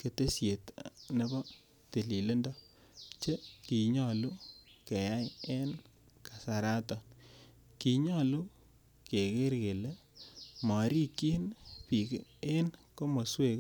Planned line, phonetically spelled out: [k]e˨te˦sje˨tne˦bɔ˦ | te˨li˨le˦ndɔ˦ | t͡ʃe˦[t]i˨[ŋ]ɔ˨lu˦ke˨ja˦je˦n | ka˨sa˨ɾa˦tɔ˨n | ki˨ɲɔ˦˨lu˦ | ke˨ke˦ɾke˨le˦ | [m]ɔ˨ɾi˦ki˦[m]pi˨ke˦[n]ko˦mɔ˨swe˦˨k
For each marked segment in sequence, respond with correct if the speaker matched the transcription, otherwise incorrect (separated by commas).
correct, incorrect, incorrect, correct, incorrect, correct